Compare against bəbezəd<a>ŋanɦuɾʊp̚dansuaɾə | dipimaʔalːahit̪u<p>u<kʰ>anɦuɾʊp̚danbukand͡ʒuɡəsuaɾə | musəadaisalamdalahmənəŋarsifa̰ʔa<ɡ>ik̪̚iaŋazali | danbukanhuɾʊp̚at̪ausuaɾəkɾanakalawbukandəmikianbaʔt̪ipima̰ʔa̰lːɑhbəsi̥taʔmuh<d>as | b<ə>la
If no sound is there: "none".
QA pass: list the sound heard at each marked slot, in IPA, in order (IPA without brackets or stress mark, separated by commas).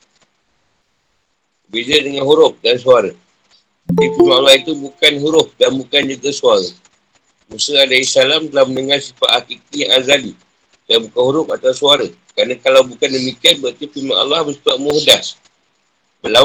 ə, b, k, k, d, ə